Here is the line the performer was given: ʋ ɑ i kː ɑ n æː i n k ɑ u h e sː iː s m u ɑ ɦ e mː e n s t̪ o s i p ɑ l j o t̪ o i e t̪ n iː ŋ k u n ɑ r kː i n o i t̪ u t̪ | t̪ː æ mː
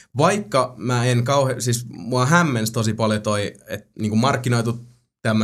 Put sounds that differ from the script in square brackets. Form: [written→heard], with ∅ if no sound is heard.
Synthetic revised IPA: ʋ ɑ i kː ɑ [n→m] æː [i→e] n k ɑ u h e [sː→s] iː s m u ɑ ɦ [e→æ] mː e n s t̪ o s i p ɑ l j o t̪ o i e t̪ n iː ŋ k u [n→m] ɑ r kː i n o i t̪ u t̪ | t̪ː æ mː